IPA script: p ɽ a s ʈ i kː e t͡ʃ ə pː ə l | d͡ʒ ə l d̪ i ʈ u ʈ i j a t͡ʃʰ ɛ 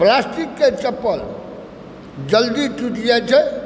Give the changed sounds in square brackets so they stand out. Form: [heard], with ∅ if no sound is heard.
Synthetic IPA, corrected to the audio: p [l] a s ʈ i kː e t͡ʃ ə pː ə l | d͡ʒ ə l d̪ i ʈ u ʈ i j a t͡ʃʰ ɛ